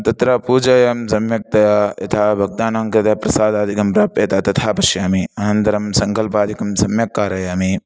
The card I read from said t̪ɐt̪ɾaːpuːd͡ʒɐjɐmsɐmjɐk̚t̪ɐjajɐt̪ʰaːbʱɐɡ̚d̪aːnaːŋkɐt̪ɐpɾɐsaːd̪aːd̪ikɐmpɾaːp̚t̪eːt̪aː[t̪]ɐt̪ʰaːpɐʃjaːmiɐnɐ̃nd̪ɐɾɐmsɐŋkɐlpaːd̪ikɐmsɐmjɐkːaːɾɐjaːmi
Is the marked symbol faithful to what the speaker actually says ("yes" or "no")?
yes